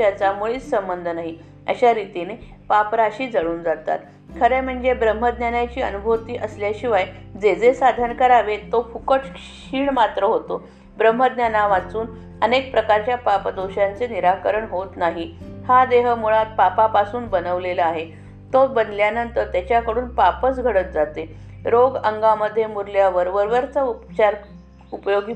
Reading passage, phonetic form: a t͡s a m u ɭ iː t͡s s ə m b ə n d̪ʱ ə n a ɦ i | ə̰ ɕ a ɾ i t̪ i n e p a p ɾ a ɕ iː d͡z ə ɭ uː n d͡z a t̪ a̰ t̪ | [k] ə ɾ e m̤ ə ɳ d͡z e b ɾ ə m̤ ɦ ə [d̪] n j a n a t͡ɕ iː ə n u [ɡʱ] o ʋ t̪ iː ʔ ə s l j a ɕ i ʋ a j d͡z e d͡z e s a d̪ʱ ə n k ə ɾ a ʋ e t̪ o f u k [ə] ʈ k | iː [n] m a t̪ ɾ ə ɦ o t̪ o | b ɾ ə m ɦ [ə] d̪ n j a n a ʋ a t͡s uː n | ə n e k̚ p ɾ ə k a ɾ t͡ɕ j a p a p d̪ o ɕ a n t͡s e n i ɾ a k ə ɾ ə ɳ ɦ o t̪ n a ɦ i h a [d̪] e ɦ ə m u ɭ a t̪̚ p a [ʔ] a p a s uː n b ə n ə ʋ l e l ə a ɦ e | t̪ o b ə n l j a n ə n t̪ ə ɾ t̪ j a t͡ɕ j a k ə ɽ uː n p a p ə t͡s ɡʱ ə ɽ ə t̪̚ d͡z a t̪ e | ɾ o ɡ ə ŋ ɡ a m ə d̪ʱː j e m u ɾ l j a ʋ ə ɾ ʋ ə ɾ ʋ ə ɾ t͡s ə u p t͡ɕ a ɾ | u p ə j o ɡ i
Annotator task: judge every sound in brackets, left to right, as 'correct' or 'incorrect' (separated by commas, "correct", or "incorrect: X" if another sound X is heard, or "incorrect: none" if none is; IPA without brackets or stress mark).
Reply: incorrect: kʰ, correct, incorrect: bʱ, correct, incorrect: ɳ, correct, correct, incorrect: p